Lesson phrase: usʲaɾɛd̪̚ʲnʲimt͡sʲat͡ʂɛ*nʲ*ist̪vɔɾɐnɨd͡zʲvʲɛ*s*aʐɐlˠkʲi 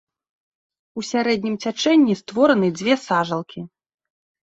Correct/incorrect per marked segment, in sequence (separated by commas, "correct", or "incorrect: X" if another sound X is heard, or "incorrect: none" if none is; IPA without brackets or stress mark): incorrect: nʲː, correct